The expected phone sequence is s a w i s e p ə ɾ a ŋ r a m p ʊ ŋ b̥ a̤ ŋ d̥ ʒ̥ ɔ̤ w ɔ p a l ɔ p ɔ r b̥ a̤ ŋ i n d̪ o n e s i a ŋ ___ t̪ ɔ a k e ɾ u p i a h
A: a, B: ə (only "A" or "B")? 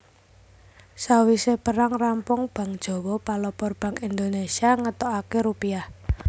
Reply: B